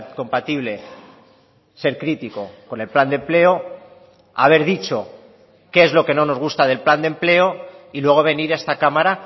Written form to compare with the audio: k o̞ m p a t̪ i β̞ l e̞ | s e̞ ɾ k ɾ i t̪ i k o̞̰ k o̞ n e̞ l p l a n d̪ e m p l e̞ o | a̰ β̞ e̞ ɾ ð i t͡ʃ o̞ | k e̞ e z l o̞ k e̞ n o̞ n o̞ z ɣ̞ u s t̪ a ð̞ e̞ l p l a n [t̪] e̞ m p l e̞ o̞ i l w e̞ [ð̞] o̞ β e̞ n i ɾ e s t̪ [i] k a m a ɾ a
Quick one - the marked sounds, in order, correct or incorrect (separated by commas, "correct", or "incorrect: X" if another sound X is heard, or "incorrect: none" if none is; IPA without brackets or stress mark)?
incorrect: d̪, incorrect: ɣ̞, incorrect: a